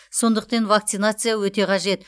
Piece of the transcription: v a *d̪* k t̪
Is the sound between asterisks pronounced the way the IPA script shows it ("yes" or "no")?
no